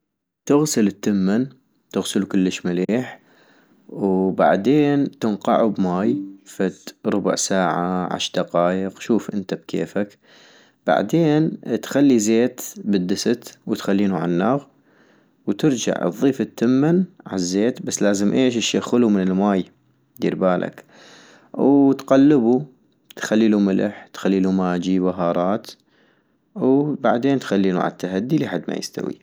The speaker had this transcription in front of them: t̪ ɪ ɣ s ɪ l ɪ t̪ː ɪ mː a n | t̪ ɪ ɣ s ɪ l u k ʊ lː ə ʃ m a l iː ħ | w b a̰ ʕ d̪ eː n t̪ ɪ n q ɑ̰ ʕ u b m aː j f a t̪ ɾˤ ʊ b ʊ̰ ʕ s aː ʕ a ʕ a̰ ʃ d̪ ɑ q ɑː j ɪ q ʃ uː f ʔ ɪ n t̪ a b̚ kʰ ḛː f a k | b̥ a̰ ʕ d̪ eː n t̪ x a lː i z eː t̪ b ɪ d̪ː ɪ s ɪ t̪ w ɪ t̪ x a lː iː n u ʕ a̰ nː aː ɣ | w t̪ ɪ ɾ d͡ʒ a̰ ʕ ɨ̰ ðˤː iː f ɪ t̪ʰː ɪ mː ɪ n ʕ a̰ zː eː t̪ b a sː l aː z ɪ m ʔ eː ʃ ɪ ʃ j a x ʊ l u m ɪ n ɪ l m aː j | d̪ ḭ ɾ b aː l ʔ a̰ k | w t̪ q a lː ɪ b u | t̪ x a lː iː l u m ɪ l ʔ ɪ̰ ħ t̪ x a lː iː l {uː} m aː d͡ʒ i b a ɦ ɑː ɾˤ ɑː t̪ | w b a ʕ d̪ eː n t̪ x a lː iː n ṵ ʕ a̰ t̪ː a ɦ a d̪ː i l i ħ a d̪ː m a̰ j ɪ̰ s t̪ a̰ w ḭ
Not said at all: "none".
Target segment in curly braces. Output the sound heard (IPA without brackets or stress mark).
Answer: u